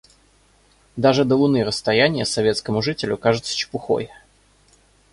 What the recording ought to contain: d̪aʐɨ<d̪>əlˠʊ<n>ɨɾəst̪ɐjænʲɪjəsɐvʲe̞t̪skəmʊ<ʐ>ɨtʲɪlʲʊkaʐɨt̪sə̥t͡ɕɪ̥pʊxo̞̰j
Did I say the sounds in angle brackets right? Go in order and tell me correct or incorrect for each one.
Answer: correct, correct, correct

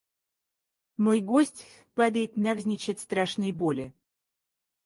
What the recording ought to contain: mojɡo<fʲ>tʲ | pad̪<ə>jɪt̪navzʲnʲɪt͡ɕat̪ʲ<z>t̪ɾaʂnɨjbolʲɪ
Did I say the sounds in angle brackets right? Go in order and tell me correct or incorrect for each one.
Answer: incorrect: sʲ, correct, incorrect: s

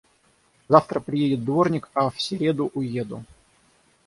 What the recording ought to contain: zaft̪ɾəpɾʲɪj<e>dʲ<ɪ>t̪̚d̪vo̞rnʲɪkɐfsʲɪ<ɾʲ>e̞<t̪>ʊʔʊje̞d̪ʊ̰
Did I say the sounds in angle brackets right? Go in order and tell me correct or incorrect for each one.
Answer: correct, correct, correct, incorrect: d̪

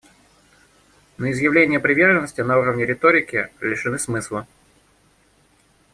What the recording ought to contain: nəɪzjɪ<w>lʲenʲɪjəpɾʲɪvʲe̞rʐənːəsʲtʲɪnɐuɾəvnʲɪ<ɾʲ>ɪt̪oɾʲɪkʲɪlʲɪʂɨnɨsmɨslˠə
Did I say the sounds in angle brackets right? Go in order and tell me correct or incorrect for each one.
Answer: incorrect: v, correct

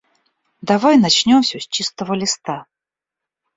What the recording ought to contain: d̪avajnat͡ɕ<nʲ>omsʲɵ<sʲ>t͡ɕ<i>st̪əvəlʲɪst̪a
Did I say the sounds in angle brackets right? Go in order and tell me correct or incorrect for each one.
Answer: correct, correct, correct

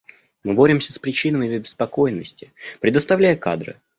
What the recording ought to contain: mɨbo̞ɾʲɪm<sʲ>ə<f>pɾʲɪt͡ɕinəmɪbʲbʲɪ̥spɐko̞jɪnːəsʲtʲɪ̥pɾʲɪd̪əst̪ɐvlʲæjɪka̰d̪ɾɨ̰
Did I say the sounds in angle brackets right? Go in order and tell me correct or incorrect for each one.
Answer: correct, incorrect: s

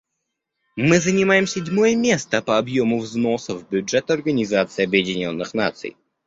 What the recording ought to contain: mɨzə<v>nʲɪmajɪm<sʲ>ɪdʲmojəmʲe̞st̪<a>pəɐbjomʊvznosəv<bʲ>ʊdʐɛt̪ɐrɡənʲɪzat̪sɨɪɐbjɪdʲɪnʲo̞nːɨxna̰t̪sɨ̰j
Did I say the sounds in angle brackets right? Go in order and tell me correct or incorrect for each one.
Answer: incorrect: none, correct, incorrect: ə, correct

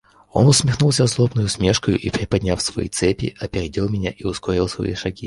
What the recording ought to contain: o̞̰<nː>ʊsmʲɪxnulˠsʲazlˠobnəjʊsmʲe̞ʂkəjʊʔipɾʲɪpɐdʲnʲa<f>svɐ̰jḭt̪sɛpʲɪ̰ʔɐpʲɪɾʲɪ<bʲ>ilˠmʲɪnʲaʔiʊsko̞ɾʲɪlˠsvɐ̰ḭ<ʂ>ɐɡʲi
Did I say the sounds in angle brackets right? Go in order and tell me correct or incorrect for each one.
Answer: incorrect: n, correct, incorrect: dʲ, correct

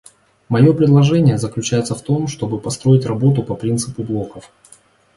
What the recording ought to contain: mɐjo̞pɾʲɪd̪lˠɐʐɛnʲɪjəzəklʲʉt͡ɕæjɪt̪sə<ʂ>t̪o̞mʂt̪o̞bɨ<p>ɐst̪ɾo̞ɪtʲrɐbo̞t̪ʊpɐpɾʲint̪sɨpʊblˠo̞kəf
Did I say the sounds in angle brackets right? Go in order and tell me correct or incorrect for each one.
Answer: incorrect: f, correct

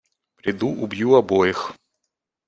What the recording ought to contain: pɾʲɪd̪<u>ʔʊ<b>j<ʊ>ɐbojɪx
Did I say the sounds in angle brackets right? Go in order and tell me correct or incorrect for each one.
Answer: correct, correct, incorrect: u

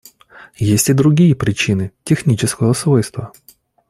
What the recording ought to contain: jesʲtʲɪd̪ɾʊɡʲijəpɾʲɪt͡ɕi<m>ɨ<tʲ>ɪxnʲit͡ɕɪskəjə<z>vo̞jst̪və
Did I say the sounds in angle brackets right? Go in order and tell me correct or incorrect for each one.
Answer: incorrect: n, correct, incorrect: s

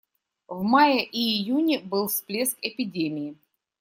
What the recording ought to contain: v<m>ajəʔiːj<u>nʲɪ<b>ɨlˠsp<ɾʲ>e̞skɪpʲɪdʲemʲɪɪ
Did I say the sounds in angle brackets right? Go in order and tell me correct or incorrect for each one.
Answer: correct, correct, correct, incorrect: lʲ

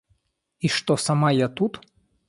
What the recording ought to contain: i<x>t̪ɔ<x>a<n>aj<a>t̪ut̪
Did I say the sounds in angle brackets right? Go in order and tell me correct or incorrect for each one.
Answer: incorrect: ʂ, incorrect: s, incorrect: m, correct

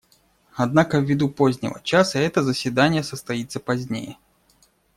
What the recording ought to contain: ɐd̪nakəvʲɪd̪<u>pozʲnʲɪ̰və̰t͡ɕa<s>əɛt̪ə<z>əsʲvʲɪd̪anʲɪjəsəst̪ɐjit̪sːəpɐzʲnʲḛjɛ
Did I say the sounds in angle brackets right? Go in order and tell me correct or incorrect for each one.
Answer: correct, correct, correct

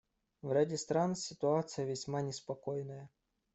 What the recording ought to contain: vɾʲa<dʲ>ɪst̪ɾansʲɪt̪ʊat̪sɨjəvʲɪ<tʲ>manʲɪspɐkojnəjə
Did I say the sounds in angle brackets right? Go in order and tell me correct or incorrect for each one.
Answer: correct, incorrect: sʲ

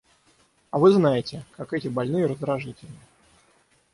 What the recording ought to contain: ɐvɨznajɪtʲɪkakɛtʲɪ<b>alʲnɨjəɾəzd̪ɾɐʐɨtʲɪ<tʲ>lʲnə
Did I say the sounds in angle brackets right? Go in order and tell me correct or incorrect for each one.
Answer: correct, incorrect: none

